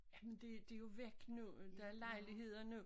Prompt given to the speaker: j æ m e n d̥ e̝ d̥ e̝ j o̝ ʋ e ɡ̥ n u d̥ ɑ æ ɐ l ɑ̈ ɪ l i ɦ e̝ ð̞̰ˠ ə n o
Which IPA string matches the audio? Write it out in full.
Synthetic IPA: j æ m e n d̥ e̝ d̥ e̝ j o̝ ʋ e ɡ̥ n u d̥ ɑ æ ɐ l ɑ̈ ɪ l i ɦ e̝ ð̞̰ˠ ɐ n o

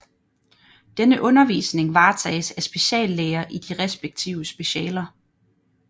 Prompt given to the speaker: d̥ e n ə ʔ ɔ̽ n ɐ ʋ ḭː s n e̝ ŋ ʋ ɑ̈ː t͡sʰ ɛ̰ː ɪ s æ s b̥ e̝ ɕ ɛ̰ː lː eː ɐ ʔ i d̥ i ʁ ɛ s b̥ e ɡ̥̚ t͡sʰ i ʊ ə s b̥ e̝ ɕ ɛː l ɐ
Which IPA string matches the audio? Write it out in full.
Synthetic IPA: d̥ e n ə ʔ ɔ̽ n ɐ ʋ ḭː s n e̝ ŋ ʋ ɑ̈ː t͡sʰ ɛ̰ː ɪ s æ s b̥ e̝ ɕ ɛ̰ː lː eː ɐ ʔ i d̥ i ʁ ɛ s b̥ e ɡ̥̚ t͡sʰ i ʊ ə s b̥ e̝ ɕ ɛː l ɐ

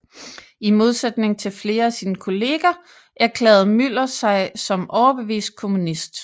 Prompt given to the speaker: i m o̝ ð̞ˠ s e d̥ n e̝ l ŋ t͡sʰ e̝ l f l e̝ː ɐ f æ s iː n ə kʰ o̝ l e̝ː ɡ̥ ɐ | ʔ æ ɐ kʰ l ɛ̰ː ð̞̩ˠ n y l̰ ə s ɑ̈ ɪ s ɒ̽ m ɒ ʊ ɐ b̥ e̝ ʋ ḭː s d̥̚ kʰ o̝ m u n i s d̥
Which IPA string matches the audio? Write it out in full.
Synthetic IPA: i m o̝ ð̞ˠ s e d̥ n e̝ ŋ t͡sʰ e̝ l f l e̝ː ɐ æ s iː n ə kʰ o̝ l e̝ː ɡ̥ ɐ | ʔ æ ɐ kʰ l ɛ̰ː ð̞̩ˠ m y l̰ ɐ s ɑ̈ ɪ s ɒ̽ m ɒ ʊ ɐ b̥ e̝ ʋ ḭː s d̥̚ kʰ o̝ m u n i s d̥

